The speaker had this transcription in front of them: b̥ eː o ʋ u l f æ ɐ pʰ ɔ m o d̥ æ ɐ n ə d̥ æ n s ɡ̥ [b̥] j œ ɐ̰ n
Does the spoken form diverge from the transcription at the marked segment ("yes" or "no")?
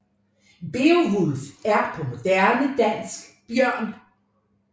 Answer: no